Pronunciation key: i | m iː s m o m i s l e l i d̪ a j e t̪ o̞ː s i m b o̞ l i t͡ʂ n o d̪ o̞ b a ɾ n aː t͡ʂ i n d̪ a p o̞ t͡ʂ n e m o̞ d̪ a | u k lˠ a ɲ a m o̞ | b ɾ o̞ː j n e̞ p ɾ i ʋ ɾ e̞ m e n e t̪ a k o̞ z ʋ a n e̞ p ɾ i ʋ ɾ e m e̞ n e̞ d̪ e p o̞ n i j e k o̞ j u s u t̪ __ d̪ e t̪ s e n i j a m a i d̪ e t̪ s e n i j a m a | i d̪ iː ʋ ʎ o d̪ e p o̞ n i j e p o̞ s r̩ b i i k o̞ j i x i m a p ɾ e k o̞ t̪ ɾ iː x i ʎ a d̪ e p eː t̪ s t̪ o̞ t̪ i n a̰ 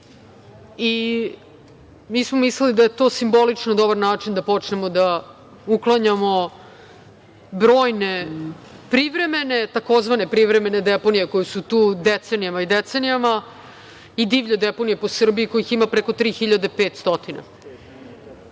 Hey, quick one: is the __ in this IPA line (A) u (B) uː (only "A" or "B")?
B